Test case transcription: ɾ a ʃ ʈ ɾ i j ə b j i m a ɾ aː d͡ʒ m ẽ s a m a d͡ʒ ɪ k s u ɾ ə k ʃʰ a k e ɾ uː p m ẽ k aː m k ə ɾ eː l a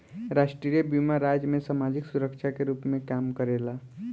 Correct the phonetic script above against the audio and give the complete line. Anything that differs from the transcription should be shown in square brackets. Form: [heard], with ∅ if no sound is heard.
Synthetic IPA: ɾ a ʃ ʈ ɾ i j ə b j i m a ɾ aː d͡ʒ m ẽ s a m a d͡ʒ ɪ k s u ɾ ə k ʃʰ a k e ɾ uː p m ẽ k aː m k ə ɾ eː l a